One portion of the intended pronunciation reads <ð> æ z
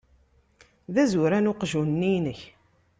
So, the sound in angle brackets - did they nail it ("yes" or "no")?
yes